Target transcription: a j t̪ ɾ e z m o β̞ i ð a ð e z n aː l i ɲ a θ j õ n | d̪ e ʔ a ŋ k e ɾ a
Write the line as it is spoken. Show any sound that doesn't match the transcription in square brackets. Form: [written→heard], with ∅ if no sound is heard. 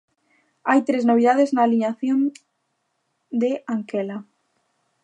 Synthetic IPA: a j t̪ ɾ e z [m→n] o β̞ i ð a ð e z n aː l i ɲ a θ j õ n | d̪ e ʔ a ŋ k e [ɾ→l] a

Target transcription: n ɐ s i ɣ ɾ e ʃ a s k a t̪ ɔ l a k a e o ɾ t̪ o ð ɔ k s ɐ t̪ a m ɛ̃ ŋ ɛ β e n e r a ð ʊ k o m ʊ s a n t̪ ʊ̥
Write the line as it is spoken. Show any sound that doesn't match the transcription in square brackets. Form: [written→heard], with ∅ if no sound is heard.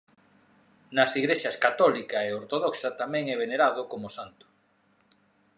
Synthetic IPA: n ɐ s i ɣ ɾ e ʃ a s k a t̪ ɔ l [a→i] k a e o ɾ t̪ o ð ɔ k s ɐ t̪ a m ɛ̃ ŋ ɛ β e n e [r→ɾ] a ð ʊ k o m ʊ s a n t̪ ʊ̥

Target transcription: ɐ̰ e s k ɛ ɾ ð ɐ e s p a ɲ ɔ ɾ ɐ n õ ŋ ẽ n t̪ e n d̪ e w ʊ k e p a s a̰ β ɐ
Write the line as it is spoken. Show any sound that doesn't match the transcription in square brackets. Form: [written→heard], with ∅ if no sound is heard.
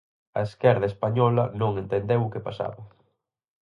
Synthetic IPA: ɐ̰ e s k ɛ ɾ ð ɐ e s p a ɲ ɔ [ɾ→l] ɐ n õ ŋ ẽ n t̪ e n d̪ e w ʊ k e p a s a̰ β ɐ

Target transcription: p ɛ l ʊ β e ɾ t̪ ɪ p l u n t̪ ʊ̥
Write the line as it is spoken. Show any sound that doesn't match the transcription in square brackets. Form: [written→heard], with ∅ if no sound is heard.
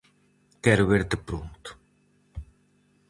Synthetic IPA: [p→k] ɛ [l→ɾ] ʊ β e ɾ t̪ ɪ p [l→ɾ] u n t̪ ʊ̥

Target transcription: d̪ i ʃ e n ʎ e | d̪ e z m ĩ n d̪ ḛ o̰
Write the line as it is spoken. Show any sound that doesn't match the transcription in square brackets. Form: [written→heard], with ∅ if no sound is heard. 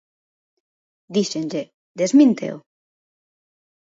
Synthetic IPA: d̪ i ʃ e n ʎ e | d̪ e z m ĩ n [d̪→t̪] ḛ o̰

